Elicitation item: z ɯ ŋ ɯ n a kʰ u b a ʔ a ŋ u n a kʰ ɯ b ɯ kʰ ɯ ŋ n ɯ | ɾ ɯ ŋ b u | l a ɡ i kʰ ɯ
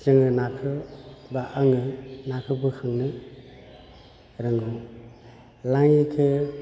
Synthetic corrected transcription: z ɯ ŋ ɯ n a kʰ ɯ b a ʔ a ŋ ɯ n a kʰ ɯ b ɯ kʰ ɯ ŋ n ɯ | ɾ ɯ ŋ ɡ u | l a ŋ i kʰ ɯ